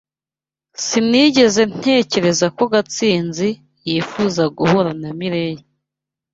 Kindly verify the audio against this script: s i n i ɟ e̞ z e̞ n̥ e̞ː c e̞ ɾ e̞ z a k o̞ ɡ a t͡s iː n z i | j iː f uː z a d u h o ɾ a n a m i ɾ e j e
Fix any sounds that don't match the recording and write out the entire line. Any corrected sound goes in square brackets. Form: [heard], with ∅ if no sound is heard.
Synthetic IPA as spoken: s i n i ɟ e̞ z e̞ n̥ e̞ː c e̞ ɾ e̞ z a k o̞ ɡ a t͡s iː n z i | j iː f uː z a [ɡ] u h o ɾ a n a m i ɾ e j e